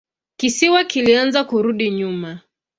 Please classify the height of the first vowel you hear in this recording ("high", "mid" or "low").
high